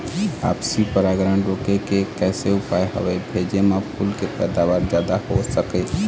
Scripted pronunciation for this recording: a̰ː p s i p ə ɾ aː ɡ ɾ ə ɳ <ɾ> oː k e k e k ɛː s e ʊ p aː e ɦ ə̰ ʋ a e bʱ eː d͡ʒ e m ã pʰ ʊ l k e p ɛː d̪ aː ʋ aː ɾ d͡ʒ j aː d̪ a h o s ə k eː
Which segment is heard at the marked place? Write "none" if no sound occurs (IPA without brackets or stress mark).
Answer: ɾ